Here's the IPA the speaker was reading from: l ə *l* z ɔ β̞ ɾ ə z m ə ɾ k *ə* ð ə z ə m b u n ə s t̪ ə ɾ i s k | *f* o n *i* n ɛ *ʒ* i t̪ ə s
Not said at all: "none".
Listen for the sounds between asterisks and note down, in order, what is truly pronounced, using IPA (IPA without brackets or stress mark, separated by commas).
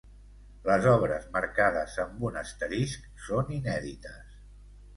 none, a, s, i, ð